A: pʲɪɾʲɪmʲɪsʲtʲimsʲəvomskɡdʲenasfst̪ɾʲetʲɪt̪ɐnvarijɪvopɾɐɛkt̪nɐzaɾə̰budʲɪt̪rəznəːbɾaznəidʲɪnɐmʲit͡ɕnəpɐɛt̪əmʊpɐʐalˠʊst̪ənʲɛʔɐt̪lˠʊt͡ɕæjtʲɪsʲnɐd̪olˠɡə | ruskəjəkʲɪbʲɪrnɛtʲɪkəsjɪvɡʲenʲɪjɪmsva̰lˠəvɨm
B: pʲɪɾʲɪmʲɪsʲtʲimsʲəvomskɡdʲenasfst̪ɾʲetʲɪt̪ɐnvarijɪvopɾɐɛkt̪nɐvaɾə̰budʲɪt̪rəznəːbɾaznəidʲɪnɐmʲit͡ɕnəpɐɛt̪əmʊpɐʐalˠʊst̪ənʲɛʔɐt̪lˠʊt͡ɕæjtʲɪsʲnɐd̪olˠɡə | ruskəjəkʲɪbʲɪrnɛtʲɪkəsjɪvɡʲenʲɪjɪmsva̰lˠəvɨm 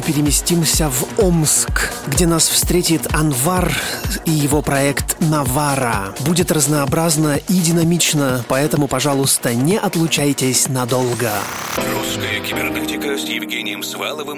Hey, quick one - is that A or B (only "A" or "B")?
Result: B